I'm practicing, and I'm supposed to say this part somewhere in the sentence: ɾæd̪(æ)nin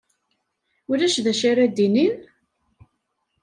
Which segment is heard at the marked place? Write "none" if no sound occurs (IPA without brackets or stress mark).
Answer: i